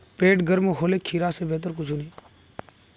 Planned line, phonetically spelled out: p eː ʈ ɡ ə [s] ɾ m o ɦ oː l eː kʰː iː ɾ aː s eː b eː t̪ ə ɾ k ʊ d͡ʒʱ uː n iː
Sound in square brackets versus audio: incorrect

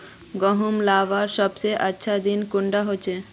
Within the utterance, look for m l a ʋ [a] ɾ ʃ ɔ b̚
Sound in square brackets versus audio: correct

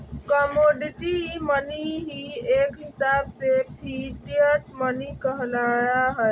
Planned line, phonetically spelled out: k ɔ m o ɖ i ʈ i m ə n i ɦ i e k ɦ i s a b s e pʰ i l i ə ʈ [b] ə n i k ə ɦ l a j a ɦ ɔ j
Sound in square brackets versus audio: incorrect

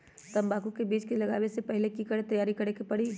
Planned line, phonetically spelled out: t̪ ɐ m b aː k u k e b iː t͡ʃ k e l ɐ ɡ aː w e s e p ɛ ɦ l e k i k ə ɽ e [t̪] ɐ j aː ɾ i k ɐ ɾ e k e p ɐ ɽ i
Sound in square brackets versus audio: correct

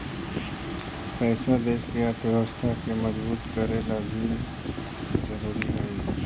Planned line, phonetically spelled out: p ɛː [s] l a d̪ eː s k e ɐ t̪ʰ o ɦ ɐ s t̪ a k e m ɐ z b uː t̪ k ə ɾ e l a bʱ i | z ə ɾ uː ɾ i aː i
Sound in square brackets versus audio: correct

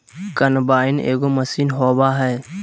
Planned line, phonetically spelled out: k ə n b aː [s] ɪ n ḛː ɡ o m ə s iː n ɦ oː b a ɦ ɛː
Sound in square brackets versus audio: incorrect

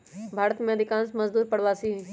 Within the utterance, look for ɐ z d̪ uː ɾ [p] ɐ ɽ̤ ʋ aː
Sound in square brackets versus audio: correct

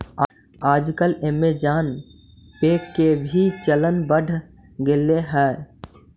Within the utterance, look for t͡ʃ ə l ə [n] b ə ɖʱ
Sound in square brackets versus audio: correct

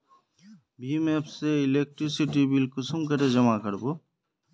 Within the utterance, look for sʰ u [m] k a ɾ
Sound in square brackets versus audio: correct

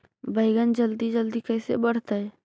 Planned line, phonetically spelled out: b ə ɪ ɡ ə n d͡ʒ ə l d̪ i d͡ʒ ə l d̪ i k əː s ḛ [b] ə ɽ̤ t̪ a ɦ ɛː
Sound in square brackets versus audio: correct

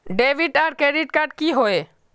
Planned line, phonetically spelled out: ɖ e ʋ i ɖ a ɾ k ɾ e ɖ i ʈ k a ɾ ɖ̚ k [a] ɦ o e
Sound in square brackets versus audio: incorrect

